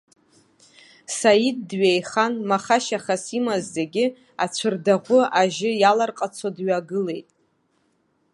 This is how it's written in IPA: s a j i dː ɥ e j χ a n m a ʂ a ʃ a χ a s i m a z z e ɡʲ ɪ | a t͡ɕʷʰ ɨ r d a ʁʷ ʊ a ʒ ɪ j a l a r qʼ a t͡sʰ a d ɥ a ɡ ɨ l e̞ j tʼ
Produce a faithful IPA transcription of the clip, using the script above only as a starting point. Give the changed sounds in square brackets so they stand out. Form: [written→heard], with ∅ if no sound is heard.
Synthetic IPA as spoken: s a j i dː ɥ e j χ a n m a [ʂ→χ] a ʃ a χ a s i m a z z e ɡʲ ɪ | a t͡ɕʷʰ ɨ r d a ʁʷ ʊ a ʒ ɪ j a l a r qʼ a t͡sʰ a d ɥ a ɡ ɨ l e̞ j tʼ